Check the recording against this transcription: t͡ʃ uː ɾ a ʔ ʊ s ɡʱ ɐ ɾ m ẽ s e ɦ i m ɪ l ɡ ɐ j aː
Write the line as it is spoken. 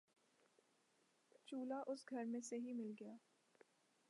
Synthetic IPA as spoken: t͡ʃ uː l a ʔ ʊ s ɡʱ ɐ ɾ m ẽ s e ɦ i m ɪ l ɡ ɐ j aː